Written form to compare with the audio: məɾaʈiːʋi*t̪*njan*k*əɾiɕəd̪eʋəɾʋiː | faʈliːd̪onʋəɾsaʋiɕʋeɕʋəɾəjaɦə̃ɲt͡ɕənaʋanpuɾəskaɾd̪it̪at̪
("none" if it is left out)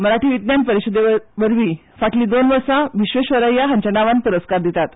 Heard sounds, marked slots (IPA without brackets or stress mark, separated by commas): t̪, p